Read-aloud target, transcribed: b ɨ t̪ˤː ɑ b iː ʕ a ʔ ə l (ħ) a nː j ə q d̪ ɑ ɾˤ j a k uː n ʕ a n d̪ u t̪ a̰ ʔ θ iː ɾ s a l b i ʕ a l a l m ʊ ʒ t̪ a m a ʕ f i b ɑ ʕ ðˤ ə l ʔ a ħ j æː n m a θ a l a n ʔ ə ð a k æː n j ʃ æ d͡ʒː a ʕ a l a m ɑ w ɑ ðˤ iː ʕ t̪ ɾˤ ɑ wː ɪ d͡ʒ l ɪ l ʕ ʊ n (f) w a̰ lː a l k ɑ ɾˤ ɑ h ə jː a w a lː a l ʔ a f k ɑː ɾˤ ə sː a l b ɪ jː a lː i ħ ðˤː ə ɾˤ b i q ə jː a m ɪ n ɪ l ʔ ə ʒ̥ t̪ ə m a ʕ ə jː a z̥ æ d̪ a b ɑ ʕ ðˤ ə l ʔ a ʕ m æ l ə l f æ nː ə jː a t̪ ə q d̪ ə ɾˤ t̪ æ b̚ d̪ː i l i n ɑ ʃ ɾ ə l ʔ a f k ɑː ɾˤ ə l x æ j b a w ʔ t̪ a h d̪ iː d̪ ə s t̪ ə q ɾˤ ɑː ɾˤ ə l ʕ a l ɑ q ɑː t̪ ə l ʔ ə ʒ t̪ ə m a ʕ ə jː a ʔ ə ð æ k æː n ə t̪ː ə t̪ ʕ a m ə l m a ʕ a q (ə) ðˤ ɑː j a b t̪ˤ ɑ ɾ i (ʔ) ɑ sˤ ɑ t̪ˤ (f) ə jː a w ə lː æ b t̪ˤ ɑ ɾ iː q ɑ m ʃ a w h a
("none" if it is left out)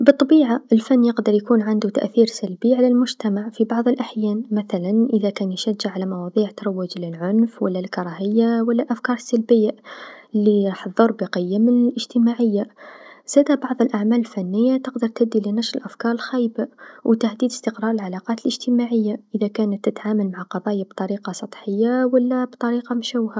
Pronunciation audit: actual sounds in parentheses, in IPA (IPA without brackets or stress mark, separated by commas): f, f, ɑ, q, ħ